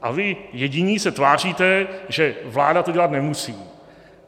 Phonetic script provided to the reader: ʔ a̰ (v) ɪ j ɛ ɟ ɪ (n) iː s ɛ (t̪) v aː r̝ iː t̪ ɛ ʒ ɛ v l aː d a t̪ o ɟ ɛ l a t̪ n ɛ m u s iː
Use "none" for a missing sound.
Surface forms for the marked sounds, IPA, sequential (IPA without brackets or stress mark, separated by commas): v, ɲ, t̪